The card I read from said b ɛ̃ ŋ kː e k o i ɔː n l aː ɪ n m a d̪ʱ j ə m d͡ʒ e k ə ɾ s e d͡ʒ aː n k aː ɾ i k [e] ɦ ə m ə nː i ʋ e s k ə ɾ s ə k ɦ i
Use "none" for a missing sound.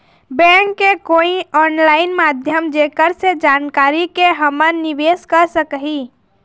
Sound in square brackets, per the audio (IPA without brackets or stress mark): e